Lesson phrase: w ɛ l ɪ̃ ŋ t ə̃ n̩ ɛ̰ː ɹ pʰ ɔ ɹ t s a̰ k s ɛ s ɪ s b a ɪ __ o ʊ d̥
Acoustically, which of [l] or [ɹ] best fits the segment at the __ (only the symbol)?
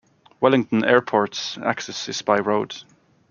ɹ